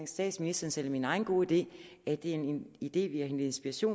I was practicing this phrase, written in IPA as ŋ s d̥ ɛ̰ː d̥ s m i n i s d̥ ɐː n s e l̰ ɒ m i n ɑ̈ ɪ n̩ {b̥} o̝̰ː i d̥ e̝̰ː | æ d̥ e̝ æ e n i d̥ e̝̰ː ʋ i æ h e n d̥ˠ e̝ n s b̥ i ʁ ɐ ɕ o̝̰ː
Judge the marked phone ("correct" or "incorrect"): incorrect